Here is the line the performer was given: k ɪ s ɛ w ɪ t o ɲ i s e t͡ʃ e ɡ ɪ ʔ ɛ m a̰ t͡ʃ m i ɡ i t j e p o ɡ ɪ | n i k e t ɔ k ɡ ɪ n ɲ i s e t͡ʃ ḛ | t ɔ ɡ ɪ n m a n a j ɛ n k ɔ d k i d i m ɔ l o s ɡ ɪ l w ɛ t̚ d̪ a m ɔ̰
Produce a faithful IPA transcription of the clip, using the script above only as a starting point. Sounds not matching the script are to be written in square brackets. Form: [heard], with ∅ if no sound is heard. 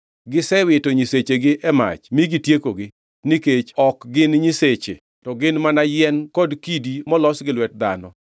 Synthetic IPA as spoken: [ɡ] ɪ s ɛ w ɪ t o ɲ i s e t͡ʃ e ɡ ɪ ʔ ɛ m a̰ t͡ʃ m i ɡ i t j e [k] o ɡ ɪ | n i k e [t͡ʃ] ɔ k ɡ ɪ n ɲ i s e t͡ʃ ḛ | t ɔ ɡ ɪ n m a n a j ɛ n k ɔ d k i d i m ɔ l [ɔ] s ɡ ɪ l w ɛ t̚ d̪ a [n] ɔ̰